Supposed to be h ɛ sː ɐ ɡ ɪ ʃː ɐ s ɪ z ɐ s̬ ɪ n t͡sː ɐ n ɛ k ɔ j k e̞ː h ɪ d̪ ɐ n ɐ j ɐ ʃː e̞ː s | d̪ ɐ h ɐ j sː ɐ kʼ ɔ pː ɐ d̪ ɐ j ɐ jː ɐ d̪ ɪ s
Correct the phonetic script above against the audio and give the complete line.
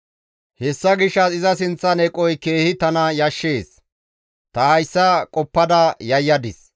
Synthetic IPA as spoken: h ɛ sː ɐ ɡ ɪ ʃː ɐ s ɪ z ɐ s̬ ɪ n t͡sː ɐ n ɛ kʼ ɔ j k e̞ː h ɪ t̪ ɐ n ɐ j ɐ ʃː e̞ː s | t̪ ɐ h ɐ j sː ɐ kʼ ɔ pː ɐ d̪ ɐ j ɐ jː ɐ d̪ ɪ s